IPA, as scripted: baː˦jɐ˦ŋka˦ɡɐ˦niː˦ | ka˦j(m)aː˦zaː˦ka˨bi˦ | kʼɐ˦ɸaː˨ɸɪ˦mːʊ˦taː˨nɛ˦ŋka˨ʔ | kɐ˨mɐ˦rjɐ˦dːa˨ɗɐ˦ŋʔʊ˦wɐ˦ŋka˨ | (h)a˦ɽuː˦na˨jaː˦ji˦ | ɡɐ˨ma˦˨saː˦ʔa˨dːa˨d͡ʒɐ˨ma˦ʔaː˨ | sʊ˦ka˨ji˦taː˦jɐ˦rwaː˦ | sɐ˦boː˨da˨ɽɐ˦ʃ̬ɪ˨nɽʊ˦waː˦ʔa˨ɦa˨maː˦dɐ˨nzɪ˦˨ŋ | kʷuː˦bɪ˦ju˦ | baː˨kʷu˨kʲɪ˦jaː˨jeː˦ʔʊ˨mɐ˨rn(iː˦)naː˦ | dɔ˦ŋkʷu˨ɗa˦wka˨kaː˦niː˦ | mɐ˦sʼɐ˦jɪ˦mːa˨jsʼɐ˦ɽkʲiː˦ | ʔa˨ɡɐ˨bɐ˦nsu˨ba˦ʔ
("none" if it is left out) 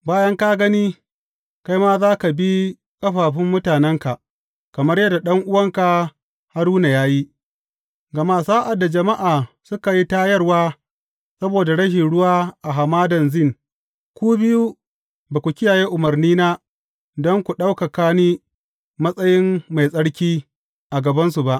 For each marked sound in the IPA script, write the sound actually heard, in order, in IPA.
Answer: m, h, iː˦

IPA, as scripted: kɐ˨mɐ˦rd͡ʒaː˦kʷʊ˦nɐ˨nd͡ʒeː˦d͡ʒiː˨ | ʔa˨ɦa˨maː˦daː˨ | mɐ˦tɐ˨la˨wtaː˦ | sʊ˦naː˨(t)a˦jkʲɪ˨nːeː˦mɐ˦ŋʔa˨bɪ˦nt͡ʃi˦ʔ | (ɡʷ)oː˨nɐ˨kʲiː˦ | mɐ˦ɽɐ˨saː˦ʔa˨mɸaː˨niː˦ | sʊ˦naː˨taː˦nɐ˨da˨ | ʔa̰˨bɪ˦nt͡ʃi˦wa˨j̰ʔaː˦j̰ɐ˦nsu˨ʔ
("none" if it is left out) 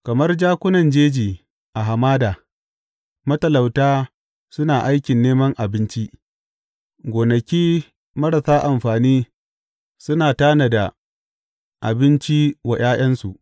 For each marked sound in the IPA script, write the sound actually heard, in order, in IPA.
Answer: ʔ, ɡʷ

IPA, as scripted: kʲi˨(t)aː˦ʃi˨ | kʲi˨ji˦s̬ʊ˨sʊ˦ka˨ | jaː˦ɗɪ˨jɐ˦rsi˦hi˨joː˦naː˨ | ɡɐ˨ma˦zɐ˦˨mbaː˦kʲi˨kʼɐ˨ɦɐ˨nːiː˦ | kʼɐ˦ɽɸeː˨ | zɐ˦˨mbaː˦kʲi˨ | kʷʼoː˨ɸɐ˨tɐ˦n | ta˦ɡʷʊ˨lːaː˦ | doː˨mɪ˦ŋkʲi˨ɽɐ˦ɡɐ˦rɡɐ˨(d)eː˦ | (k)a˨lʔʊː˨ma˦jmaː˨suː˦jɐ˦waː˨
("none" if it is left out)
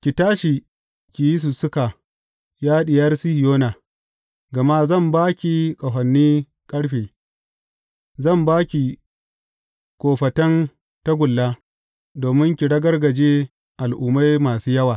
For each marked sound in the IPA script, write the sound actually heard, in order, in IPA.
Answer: t, d͡ʒ, ʔ

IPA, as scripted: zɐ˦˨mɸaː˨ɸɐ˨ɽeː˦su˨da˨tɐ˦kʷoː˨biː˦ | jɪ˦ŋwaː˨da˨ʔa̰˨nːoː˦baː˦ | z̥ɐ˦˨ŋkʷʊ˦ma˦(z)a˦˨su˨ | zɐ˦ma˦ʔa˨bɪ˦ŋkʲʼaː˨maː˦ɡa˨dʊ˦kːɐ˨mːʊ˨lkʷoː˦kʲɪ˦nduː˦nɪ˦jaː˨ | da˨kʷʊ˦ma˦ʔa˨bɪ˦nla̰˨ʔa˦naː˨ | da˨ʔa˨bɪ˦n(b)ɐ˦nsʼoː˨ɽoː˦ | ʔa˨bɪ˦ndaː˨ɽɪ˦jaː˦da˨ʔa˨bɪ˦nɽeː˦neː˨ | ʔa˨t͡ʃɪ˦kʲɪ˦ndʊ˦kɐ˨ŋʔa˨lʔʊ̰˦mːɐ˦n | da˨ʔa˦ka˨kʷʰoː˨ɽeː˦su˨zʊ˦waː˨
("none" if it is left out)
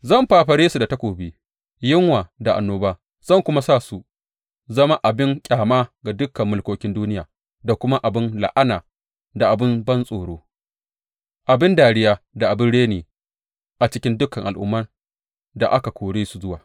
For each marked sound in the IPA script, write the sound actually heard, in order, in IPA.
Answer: s, b

